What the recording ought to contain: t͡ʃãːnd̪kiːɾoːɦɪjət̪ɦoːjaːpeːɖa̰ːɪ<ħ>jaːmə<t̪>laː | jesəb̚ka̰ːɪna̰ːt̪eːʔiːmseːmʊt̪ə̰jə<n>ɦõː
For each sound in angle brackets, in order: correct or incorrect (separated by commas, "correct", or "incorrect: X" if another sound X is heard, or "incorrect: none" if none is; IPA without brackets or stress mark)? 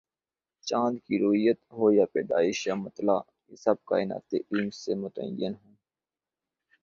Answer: incorrect: ʃ, correct, correct